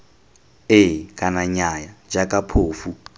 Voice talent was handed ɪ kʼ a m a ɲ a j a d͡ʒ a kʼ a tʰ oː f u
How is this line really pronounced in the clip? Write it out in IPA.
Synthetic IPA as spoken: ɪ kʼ a n a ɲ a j a d͡ʒ a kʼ a pʰ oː f u